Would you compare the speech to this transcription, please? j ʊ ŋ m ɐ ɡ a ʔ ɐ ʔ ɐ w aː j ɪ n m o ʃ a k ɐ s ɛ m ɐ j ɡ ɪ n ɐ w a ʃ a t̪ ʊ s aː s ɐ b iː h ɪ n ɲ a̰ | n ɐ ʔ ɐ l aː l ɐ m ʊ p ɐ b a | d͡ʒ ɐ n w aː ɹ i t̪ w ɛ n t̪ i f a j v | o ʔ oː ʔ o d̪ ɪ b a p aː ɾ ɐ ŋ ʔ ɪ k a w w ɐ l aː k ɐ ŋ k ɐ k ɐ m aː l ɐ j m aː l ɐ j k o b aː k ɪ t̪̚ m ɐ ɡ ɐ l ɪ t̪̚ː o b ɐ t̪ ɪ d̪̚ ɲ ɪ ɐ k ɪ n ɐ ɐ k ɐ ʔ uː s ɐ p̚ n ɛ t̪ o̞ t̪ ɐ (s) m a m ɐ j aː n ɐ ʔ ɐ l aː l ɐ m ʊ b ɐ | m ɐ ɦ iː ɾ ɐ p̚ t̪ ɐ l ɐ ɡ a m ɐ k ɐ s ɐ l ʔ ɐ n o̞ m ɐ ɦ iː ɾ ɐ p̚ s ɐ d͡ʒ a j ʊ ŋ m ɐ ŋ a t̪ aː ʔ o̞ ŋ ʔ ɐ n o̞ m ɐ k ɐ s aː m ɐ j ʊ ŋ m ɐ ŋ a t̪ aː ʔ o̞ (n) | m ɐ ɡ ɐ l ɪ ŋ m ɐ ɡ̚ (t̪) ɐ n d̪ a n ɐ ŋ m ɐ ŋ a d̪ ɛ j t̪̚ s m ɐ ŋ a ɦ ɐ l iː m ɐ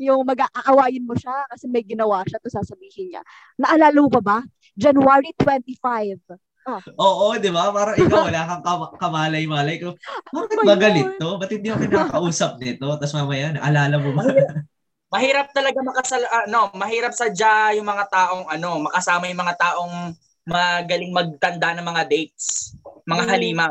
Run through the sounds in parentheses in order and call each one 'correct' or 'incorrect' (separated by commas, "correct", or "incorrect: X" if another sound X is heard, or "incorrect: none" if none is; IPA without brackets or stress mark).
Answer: correct, incorrect: ŋ, correct